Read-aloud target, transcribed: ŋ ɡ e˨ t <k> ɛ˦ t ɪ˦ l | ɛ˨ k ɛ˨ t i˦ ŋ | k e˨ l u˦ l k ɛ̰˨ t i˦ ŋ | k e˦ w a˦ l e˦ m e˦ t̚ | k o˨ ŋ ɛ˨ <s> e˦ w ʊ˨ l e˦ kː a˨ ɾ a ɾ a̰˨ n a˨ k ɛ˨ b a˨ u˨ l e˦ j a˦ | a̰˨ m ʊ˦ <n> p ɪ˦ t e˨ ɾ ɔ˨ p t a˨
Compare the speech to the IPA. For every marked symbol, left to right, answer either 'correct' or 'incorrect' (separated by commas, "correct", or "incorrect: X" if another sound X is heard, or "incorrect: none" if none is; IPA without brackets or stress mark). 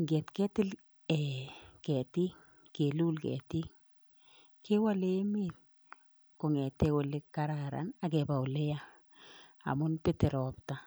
correct, incorrect: t, correct